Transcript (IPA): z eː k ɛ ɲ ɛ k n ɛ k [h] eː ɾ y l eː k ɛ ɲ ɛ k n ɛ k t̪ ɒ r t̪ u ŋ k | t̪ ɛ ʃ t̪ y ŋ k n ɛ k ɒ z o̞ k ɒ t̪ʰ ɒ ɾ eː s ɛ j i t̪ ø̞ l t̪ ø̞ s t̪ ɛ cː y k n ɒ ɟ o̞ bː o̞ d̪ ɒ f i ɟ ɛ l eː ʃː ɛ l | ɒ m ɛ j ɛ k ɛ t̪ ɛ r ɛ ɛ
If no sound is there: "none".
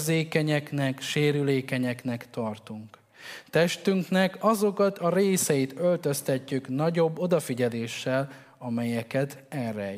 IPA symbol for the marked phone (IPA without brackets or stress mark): ʃ